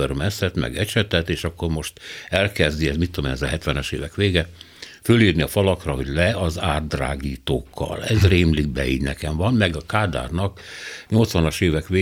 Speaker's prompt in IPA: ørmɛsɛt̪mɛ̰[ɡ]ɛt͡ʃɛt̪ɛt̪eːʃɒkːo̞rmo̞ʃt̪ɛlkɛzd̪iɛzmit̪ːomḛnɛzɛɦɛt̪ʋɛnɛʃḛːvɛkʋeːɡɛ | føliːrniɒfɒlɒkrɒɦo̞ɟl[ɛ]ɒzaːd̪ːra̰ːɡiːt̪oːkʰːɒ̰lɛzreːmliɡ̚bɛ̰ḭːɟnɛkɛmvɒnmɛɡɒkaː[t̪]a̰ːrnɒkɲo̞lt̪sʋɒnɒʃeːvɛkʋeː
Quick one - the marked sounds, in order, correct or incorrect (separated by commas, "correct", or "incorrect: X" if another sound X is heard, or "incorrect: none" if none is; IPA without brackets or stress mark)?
correct, correct, incorrect: d̪